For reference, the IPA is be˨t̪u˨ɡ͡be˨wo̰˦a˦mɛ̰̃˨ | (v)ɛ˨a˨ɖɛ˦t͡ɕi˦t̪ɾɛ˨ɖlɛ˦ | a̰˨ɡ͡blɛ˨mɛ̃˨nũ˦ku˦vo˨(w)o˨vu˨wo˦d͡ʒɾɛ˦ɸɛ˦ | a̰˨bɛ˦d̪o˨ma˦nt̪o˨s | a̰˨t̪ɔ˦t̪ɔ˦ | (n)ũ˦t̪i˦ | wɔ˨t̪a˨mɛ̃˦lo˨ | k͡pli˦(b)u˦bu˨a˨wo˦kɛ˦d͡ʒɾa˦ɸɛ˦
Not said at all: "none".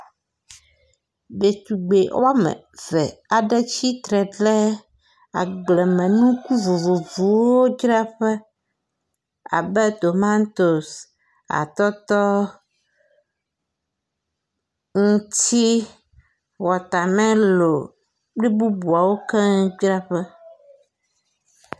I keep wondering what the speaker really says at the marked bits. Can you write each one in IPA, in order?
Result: v, v, ŋ, b

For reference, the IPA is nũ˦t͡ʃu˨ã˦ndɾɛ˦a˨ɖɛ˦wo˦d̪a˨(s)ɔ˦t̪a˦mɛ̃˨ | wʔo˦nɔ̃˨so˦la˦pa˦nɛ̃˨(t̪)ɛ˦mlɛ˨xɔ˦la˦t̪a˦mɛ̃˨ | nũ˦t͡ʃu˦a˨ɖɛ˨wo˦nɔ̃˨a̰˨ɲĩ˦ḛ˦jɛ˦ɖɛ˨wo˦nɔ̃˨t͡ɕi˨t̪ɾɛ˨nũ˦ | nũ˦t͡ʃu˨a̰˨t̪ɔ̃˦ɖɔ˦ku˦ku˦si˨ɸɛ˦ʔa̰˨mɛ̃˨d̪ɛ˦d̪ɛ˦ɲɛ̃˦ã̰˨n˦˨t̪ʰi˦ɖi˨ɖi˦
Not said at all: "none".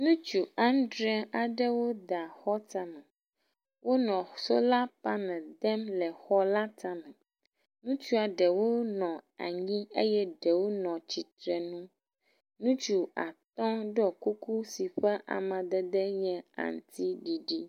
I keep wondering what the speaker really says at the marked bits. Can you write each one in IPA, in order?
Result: x, d̪

